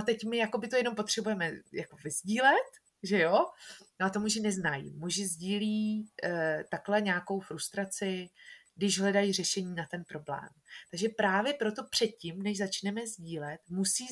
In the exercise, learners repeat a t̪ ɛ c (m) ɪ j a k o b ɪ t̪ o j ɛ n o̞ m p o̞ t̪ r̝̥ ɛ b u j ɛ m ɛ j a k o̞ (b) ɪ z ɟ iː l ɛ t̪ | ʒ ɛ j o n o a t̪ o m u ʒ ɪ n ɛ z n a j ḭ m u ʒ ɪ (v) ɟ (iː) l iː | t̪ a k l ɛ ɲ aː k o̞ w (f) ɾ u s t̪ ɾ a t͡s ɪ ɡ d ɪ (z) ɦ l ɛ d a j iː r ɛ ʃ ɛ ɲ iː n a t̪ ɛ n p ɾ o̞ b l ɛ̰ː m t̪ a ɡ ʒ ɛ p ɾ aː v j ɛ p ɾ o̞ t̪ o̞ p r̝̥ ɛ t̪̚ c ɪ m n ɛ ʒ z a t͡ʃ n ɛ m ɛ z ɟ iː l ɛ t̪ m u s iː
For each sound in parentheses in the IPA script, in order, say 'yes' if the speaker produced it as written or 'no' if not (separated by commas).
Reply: yes, no, no, yes, yes, no